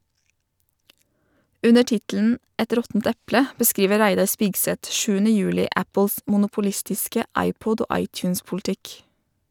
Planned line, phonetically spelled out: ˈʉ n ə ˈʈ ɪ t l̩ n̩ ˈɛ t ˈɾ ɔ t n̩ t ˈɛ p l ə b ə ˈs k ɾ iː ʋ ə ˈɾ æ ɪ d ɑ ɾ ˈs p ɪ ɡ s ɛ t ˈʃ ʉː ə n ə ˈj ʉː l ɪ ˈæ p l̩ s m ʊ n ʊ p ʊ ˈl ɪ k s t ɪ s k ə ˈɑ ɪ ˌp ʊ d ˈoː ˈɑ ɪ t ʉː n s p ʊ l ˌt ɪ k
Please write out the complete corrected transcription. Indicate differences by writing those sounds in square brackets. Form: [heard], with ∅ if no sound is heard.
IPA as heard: ˈʉ n ə ˈʈ ɪ t l̩ n̩ ˈɛ t ˈɾ ɔ t n̩ t ˈɛ p l ə b ə ˈs k ɾ iː ʋ ə ˈɾ æ ɪ d ɑ ɾ ˈs p ɪ ɡ s ɛ t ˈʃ ʉː ə n ə ˈj ʉː l ɪ ˈæ p l̩ s m ʊ n ʊ p ʊ ˈl ɪ [∅] s t ɪ s k ə ˈɑ ɪ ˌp ʊ d ˈoː ˈɑ ɪ t ʉː n s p ʊ l ˌt ɪ k